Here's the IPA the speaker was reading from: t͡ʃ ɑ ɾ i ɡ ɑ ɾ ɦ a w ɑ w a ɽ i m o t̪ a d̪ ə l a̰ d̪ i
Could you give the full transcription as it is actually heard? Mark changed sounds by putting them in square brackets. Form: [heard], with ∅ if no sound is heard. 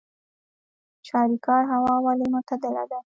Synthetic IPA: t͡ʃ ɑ ɾ i [k] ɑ ɾ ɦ a w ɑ w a [l] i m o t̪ a d̪ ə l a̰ d̪ [a]